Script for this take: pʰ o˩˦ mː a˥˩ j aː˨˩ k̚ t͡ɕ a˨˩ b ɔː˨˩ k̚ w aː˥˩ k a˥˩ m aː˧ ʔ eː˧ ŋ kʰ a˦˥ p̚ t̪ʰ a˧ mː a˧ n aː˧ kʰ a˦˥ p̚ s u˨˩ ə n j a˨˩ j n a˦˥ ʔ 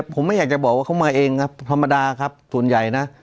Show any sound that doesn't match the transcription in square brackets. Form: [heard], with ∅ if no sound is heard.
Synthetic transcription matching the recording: pʰ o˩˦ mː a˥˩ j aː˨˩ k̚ t͡ɕ a˨˩ b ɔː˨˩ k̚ w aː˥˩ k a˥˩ m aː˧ ʔ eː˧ ŋ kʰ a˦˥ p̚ t̪ʰ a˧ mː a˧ [d] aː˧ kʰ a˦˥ p̚ s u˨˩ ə n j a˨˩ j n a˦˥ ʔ

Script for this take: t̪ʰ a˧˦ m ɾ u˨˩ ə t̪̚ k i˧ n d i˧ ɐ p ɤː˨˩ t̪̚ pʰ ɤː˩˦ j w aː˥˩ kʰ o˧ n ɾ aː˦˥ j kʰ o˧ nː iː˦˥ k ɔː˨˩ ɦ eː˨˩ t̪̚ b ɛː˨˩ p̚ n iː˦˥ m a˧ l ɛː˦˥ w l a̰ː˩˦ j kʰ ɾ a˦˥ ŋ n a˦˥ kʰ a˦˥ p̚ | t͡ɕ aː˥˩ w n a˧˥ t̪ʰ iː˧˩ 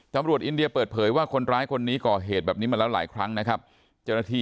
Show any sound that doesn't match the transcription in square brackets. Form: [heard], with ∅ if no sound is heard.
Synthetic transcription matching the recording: [t̪] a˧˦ m ɾ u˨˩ ə t̪̚ [ʔ] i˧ n d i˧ ɐ p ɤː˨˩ t̪̚ pʰ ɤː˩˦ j w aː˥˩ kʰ o˧ n ɾ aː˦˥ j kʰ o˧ nː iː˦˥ k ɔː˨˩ ɦ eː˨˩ t̪̚ b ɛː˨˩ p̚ n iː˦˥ m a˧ l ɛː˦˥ w l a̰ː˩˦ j kʰ ɾ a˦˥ ŋ n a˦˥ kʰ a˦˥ p̚ | t͡ɕ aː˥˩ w n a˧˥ t̪ʰ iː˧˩

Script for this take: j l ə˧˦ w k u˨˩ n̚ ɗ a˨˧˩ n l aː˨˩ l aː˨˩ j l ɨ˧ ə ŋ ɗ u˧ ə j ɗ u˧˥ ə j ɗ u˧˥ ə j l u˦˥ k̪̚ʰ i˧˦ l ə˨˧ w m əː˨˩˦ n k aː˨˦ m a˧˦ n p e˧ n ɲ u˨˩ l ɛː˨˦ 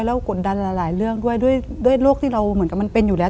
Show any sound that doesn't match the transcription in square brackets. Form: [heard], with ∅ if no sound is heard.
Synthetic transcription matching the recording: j l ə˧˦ w k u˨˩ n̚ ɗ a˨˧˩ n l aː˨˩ l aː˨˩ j l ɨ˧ ə ŋ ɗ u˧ ə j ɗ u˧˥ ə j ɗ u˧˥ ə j l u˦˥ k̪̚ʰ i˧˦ l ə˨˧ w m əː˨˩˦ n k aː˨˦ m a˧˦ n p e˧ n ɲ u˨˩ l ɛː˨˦

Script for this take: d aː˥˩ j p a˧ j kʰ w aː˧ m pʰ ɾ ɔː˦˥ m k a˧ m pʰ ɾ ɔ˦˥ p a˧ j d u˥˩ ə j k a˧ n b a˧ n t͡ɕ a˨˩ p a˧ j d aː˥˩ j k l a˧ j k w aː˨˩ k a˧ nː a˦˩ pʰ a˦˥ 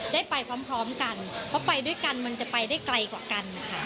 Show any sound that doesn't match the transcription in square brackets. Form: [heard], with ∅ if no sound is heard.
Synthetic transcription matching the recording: d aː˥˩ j p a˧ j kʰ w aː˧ m pʰ ɾ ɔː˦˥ m k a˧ [n] pʰ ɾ ɔ˦˥ p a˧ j d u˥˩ ə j k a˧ n [m] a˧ n t͡ɕ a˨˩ p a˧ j d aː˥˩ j k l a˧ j k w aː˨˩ k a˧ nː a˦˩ [kʰ] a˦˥

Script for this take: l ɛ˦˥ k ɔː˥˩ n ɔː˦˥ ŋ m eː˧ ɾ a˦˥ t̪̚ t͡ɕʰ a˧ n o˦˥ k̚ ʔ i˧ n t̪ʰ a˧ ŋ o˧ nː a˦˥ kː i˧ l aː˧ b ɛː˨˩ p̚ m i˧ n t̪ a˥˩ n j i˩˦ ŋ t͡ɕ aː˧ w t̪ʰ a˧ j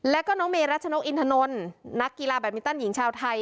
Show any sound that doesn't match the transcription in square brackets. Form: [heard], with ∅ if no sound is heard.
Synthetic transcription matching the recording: l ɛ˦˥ k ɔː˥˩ n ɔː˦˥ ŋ m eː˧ ɾ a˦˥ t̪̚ t͡ɕʰ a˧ n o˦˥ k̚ ʔ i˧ n t̪ʰ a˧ [n] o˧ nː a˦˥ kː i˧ l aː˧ b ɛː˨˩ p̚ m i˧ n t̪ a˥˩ n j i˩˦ ŋ [t͡ɕʰ] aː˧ w t̪ʰ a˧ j

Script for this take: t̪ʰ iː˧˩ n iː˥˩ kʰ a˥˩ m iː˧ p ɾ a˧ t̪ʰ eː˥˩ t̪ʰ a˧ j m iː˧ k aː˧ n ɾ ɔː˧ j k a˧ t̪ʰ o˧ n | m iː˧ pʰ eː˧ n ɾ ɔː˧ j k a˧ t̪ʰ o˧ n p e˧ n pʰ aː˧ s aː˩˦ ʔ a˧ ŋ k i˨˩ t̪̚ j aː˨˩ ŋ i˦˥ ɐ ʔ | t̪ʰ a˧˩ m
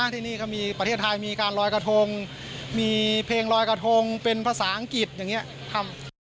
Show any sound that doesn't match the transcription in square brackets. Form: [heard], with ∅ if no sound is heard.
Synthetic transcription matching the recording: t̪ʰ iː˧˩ n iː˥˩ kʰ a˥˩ m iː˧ p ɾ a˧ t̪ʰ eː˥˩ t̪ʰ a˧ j m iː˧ k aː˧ n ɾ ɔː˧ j k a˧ t̪ʰ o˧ [ŋ] | m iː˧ pʰ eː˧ [ŋ] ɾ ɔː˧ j k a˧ t̪ʰ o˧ [ŋ] p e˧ n pʰ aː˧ s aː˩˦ ʔ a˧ ŋ k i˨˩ t̪̚ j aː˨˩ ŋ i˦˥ ɐ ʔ | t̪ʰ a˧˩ m

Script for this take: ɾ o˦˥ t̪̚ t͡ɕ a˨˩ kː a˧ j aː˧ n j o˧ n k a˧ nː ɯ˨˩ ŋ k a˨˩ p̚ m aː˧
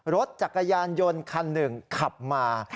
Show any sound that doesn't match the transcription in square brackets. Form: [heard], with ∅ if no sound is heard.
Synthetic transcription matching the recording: ɾ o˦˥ t̪̚ t͡ɕ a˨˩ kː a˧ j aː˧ n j o˧ n [kʰ] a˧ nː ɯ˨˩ ŋ [kʰ] a˨˩ p̚ m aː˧

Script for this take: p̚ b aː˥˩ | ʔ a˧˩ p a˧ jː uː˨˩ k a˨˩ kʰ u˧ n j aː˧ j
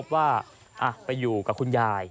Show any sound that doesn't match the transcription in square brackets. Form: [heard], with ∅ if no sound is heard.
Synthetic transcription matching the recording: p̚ [w] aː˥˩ | ʔ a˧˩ p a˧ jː uː˨˩ k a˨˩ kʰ u˧ n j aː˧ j

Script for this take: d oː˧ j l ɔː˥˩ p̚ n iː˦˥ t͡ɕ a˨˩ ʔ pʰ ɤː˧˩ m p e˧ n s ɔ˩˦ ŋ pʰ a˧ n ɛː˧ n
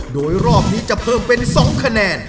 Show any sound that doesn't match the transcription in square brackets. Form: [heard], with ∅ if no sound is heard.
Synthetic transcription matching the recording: d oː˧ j [ɾ] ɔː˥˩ p̚ n iː˦˥ t͡ɕ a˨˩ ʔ pʰ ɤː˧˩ m p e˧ n s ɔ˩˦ ŋ [kʰ] a˧ n ɛː˧ n

